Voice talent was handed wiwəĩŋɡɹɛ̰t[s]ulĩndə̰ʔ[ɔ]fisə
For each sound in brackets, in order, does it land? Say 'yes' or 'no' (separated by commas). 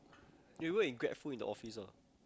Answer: no, yes